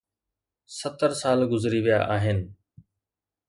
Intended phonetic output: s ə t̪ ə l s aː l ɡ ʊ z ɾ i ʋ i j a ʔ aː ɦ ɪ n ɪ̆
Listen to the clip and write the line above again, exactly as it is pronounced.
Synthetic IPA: s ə t̪ ə ɾ s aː l ɡ ʊ z ɾ i ʋ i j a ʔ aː ɦ ɪ n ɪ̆